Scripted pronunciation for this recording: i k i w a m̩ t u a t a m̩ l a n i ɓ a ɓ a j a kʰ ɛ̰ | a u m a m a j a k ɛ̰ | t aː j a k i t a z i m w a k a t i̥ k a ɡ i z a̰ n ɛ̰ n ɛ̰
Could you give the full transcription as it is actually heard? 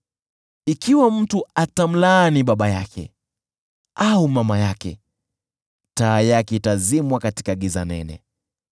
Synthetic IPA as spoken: i k i w a m̩ t u a t a m̩ l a n i ɓ a ɓ a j a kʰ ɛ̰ | a u m a m a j a k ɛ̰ | t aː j a k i t a z i m w a k a t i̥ k a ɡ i z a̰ n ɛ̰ n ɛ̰